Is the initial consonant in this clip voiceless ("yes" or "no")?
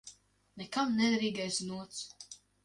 no